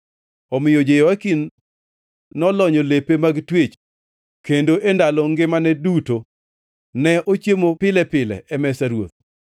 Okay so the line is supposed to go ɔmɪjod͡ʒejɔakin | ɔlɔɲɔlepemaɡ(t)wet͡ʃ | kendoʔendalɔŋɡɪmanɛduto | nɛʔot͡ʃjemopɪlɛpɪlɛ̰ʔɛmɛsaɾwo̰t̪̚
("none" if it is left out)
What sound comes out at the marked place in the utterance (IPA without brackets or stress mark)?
t